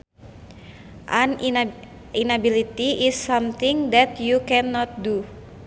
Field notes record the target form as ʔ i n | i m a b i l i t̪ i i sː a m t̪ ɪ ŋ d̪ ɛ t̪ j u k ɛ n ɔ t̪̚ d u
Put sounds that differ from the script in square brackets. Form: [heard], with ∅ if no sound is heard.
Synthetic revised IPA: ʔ [a] n | i [n] a b i l i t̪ i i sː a m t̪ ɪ ŋ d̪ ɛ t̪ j u k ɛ n ɔ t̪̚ d u